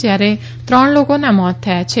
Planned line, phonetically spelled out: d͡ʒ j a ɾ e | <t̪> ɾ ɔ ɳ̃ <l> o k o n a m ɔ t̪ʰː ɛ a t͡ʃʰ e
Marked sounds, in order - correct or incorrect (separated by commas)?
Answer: correct, correct